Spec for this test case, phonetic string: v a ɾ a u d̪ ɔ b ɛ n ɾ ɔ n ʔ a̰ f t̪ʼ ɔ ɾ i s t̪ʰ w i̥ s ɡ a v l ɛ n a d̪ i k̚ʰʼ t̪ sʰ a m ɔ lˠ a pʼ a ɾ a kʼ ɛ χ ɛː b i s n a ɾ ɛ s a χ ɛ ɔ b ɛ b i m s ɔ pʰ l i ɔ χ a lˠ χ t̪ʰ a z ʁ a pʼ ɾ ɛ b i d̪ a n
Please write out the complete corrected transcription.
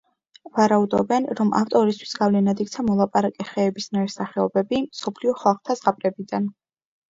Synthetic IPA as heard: v a ɾ a u d̪ ɔ b ɛ n ɾ ɔ m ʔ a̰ f t̪ʼ ɔ ɾ i s t̪ʰ w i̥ s ɡ a v l ɛ n a d̪ i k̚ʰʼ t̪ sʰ a m ɔ lˠ a pʼ a ɾ a kʼ ɛ χ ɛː b i s n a ɾ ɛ s a χ ɛ ɔ b ɛ b i m s ɔ pʰ l i ɔ χ a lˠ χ t̪ʰ a z ʁ a pʼ ɾ ɛ b i d̪ a n